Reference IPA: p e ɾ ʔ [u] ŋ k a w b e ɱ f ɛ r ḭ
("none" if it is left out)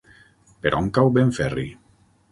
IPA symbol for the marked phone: ɔ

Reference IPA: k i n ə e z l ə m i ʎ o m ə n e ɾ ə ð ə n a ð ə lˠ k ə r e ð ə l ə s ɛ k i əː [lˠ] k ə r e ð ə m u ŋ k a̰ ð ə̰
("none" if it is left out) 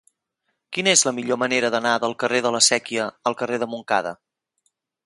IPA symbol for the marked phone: lˠ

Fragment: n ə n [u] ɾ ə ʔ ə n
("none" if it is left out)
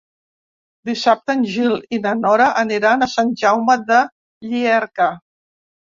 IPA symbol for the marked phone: ɔ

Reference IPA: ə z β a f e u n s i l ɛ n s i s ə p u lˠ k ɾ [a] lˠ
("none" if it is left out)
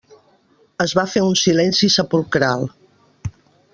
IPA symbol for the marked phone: a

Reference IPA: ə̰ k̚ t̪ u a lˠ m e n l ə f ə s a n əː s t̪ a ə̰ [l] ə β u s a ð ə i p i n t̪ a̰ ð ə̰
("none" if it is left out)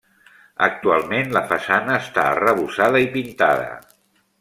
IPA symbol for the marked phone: r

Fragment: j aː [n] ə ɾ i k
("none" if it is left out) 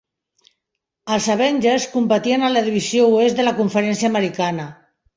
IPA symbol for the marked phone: m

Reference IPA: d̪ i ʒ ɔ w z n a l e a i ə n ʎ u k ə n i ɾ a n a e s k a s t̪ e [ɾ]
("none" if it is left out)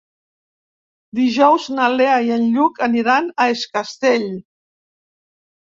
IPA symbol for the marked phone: ʎ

